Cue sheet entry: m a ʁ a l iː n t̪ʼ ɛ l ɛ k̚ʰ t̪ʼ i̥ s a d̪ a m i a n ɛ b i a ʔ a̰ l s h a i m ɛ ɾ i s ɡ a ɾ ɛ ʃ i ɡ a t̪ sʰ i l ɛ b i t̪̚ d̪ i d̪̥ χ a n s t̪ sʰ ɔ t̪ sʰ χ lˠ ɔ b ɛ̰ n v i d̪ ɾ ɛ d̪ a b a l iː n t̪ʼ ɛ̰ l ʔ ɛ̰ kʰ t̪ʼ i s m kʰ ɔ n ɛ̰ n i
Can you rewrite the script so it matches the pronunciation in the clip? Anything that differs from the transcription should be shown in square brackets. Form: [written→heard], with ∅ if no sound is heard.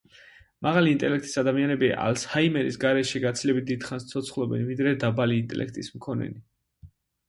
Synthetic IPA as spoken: m a ʁ a l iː n t̪ʼ ɛ l ɛ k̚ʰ t̪ʼ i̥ s a d̪ a m i a n ɛ b i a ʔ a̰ l s h a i m ɛ ɾ i s ɡ a ɾ ɛ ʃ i ɡ a t̪ sʰ i l ɛ b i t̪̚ d̪ i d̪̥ χ a n s t̪ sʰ ɔ t̪ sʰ χ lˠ ɔ b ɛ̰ n v i d̪ ɾ ɛ d̪ a b a l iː n t̪ʼ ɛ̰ l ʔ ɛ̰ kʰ t̪ʼ i s m kʰ ɔ n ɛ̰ n i